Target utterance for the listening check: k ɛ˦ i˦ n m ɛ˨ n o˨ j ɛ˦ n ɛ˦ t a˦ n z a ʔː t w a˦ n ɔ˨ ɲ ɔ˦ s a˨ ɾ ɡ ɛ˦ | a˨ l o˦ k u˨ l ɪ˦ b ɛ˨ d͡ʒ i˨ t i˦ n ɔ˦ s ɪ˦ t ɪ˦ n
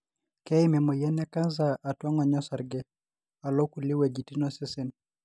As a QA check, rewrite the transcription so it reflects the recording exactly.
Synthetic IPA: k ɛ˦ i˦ m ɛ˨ m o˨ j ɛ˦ n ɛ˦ k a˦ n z a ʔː t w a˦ ŋ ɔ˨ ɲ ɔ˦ s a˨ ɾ ɡ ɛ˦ | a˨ l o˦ k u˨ l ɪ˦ w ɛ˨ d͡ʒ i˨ t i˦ n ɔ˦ s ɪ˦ s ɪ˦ n